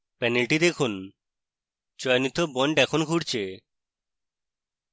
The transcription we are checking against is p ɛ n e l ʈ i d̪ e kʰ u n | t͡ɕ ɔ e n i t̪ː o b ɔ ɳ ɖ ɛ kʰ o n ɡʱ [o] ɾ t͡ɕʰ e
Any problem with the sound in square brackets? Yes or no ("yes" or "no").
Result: yes